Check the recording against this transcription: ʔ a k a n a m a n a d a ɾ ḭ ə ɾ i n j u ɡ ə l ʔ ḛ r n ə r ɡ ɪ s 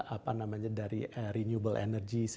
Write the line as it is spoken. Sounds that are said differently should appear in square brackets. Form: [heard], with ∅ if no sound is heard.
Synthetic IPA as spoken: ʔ a [p] a n a m a [ɲ] a d a ɾ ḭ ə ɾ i n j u [b] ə l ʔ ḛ [∅] n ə r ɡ [i] s